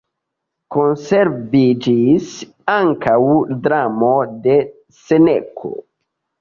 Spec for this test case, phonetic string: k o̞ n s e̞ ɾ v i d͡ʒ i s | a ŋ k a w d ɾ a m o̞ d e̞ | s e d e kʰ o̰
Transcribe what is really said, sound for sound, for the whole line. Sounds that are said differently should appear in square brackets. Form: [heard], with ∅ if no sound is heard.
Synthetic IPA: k o̞ n s e̞ ɾ v i d͡ʒ i s | a ŋ k a w d ɾ a m o̞ d e̞ | s e [n] e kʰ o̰